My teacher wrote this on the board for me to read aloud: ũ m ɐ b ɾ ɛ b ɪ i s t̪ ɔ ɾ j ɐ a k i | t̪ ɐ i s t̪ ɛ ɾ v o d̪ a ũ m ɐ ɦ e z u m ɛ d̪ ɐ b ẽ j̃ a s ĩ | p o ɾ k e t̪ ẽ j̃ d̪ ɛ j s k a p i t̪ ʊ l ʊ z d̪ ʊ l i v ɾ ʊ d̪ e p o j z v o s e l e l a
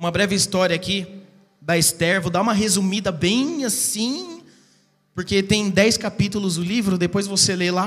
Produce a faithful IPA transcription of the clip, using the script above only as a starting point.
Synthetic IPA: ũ m ɐ b ɾ ɛ v ɪ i s t̪ ɔ ɾ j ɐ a k i | d̪ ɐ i s t̪ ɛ ɾ v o d̪ a ũ m ɐ ɦ e z u m i d̪ ɐ b ẽ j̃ a s ĩ | p o ɾ k e t̪ ẽ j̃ d̪ ɛ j s k a p i t̪ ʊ l ʊ z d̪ ʊ l i v ɾ ʊ d̪ e p o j z v o s e l e l a